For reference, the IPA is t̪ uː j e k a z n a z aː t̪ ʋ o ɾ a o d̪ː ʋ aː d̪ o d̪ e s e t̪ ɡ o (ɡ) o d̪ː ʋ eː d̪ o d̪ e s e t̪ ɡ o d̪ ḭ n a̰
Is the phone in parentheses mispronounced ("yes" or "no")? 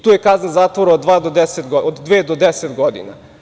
yes